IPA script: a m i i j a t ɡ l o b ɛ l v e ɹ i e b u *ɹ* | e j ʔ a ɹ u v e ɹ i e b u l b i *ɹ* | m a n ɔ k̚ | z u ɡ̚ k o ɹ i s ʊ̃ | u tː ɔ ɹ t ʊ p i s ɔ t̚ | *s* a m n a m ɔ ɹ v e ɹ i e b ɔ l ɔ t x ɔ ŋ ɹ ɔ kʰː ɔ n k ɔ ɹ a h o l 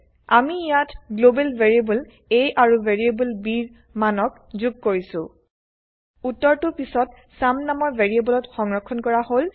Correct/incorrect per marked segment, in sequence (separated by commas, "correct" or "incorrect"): incorrect, correct, correct